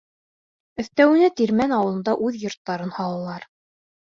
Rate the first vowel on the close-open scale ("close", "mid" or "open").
mid